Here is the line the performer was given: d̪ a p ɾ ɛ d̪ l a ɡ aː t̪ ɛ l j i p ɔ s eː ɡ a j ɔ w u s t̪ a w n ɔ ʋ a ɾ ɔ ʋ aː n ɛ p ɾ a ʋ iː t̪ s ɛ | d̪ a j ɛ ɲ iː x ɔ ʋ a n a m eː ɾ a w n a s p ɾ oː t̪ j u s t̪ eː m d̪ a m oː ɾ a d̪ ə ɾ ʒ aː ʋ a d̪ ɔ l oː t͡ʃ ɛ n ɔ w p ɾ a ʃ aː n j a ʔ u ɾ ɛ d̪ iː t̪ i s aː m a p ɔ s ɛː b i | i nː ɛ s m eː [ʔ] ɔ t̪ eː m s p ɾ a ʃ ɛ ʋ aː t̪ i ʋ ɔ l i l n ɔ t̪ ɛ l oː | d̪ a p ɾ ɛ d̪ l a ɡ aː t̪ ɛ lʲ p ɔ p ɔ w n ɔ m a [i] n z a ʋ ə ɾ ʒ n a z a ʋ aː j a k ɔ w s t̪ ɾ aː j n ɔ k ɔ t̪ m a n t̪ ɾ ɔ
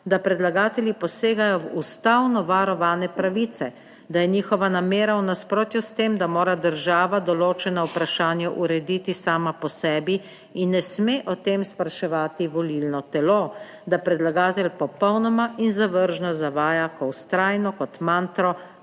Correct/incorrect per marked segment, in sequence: correct, correct

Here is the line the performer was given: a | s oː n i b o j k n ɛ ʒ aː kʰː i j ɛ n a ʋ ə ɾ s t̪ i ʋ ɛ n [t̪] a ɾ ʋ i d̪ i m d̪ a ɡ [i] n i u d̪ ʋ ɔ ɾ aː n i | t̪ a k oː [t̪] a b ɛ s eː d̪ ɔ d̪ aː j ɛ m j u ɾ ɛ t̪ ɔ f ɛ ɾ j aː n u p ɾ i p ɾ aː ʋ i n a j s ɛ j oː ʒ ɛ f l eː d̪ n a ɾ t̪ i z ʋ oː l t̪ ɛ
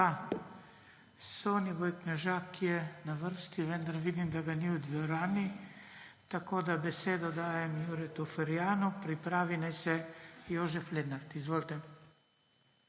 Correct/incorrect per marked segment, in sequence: incorrect: d̪, incorrect: a, incorrect: d̪

